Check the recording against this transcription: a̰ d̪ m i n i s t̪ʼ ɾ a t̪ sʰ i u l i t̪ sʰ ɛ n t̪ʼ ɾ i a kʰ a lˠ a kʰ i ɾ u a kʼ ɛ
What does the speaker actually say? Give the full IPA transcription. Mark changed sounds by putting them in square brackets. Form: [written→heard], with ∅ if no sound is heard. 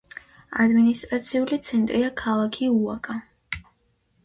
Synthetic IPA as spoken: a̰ d̪ m i n i s t̪ʼ ɾ a t̪ sʰ i u l i t̪ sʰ ɛ n t̪ʼ ɾ i a kʰ a lˠ a kʰ i [ɾ→∅] u a kʼ [ɛ→a]